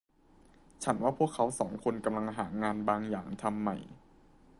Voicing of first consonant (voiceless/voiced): voiceless